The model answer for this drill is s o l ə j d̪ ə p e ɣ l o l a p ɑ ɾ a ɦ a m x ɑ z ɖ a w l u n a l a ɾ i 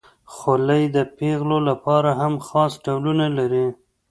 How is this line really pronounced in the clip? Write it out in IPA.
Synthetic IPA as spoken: x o l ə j d̪ ə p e ɣ l o l a p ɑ ɾ a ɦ a m x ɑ s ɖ a w l u n a l a ɾ i